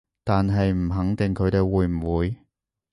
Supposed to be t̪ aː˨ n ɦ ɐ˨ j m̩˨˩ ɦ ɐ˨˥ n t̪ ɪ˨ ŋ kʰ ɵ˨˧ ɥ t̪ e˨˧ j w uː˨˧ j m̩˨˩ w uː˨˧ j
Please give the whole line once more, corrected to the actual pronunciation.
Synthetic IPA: t̪ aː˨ n ɦ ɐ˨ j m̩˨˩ ɦ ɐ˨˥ ŋ t̪ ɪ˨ ŋ kʰ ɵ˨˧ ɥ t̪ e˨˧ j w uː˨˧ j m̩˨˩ w uː˨˧ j